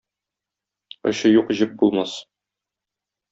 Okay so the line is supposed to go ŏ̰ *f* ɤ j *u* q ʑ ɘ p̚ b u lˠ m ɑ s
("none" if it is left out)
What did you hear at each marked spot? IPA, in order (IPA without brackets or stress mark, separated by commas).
ɕ, u